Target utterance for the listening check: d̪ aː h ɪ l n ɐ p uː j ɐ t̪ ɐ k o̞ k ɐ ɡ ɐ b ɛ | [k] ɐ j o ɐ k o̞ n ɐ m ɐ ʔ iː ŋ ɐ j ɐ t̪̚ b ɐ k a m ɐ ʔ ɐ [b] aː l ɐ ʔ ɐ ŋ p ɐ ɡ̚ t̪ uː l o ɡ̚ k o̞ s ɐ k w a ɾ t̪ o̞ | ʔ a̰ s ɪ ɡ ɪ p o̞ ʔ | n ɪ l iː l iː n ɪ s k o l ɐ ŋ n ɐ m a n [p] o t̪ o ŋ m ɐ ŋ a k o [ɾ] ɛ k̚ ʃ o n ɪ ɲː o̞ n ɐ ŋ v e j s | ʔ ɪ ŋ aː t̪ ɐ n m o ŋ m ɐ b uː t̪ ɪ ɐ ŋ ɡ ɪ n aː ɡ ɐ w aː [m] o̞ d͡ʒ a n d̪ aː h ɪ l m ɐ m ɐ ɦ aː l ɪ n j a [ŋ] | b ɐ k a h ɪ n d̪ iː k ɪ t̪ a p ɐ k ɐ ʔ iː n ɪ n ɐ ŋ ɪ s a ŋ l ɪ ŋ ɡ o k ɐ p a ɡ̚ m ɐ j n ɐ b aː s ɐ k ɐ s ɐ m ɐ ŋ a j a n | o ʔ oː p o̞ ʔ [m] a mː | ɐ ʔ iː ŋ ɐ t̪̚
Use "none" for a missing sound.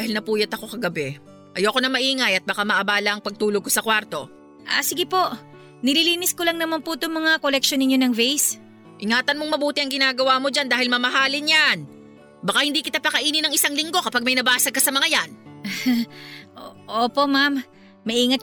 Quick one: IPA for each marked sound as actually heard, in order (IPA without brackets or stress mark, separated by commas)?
ʔ, b, p, l, m, n, m